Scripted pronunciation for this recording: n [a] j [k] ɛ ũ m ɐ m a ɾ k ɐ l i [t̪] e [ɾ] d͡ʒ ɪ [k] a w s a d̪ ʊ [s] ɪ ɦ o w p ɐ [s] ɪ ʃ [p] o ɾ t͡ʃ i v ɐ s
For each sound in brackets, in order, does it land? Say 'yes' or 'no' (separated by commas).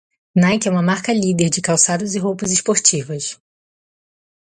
yes, yes, no, yes, yes, no, no, yes